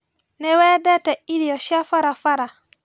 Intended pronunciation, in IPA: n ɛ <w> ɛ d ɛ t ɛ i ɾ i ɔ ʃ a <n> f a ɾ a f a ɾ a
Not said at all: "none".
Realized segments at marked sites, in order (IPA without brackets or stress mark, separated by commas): w, none